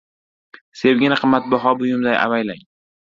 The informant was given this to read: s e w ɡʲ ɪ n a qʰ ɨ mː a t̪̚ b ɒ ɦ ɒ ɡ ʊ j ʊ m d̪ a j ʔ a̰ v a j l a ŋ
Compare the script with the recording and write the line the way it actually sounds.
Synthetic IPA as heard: s e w ɡʲ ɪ n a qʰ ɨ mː a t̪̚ b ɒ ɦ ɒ b ʊ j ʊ m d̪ a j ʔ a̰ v a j l a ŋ